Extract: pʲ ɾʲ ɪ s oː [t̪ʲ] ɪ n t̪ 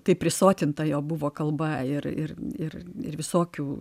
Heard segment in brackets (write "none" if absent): t̪ʲ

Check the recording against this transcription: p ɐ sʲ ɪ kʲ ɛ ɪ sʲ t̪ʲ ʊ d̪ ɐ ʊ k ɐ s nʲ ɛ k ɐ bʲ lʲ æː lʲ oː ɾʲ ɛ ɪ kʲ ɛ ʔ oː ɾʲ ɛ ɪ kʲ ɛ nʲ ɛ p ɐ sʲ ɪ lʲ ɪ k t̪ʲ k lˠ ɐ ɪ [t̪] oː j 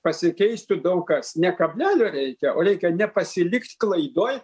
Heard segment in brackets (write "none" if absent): d̪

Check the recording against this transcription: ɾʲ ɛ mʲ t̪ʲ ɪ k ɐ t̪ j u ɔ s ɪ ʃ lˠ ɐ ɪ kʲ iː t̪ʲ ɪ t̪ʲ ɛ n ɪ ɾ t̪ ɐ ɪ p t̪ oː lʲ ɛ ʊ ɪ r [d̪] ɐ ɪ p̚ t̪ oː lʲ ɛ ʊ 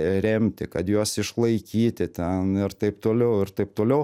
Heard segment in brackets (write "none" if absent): t̪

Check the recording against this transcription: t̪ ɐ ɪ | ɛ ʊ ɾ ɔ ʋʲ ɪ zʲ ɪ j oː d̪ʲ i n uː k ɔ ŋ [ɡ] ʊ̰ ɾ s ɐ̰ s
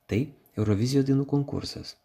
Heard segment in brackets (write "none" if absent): k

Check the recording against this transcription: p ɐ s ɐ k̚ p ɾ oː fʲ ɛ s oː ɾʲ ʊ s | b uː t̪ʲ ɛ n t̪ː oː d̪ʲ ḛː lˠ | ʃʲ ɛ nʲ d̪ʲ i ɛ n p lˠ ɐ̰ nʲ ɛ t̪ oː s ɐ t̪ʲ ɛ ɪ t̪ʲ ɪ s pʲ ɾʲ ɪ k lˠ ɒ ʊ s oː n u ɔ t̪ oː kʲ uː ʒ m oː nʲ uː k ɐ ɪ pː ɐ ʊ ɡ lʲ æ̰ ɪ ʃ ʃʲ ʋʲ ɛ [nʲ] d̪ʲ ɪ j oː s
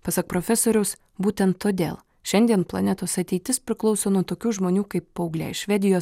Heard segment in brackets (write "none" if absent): none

